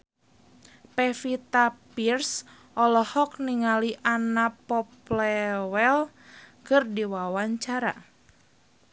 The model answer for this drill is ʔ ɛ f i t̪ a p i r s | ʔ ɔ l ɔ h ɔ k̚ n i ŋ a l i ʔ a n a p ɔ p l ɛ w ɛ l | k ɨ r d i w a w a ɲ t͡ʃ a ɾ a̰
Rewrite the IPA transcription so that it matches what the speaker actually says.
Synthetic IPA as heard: p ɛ f i t̪ a p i r s | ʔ ɔ l ɔ h ɔ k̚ n i ŋ a l i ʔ a n a p ɔ p l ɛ w ɛ l | k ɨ r d i w a w a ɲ t͡ʃ a ɾ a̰